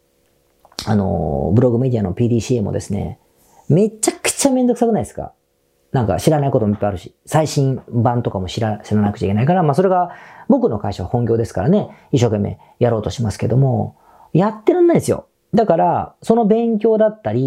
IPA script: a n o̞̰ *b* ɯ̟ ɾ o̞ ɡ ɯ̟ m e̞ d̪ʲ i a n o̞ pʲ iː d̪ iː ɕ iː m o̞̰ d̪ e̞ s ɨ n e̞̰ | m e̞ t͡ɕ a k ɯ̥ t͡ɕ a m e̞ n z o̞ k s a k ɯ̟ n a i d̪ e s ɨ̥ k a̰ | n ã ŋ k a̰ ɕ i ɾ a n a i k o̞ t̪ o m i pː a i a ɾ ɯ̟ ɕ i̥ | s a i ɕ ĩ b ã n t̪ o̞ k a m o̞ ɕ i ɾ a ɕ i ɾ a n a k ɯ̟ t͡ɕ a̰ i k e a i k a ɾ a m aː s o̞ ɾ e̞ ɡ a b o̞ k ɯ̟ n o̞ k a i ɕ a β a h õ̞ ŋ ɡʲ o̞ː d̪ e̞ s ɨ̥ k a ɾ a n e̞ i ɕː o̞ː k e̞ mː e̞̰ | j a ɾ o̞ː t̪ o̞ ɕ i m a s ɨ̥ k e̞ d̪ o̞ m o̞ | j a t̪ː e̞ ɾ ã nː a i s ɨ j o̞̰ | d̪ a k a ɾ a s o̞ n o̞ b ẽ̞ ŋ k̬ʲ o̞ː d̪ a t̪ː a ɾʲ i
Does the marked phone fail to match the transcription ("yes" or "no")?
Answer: no